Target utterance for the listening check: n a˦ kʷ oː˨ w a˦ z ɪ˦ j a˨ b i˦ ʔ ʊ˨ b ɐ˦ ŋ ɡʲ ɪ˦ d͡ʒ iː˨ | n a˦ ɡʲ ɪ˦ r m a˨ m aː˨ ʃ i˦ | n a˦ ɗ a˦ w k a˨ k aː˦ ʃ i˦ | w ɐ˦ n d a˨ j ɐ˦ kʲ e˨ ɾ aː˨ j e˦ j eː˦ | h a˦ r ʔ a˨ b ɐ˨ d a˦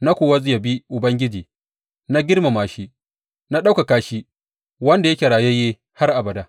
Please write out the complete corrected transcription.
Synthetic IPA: n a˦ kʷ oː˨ w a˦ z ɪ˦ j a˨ b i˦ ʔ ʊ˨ b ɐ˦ ŋ ɡʲ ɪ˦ d͡ʒ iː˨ | n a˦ ɡʲ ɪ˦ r m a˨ m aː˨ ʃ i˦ | n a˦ ɗ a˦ w k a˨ k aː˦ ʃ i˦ | w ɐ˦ n d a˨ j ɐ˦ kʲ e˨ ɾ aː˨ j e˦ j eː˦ | h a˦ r ʔ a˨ b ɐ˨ d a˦

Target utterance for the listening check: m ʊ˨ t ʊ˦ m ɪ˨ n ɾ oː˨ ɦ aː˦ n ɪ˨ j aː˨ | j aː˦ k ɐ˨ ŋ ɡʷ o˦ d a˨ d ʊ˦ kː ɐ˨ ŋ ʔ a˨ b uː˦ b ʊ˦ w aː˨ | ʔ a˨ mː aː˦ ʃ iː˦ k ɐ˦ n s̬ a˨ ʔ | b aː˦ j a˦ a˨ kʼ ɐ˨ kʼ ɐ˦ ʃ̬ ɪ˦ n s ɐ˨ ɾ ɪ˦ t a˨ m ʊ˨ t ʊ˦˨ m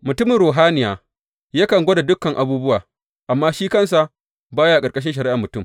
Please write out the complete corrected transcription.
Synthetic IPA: m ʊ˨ t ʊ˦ m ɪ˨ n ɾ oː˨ ɦ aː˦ n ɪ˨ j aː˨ | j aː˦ k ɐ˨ ŋ ɡʷ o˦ d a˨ d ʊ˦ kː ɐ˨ ŋ ʔ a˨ b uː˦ b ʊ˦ w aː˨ | ʔ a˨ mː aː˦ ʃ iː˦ k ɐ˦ n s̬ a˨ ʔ | b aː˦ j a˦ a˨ kʼ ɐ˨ kʼ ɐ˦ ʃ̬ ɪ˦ n ʃ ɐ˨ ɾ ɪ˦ ʔ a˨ m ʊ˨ t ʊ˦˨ m

